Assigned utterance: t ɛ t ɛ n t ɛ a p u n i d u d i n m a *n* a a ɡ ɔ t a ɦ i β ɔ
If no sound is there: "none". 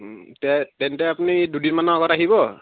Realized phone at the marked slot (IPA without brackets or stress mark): n